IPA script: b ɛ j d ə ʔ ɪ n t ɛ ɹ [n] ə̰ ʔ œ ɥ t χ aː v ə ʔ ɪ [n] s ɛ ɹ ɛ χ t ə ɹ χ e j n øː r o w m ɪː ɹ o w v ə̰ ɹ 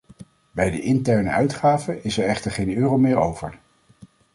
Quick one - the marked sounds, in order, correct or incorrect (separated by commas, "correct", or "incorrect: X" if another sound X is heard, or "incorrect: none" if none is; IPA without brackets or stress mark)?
correct, incorrect: none